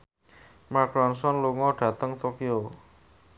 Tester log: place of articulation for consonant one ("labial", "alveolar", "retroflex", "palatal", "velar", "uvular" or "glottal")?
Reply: labial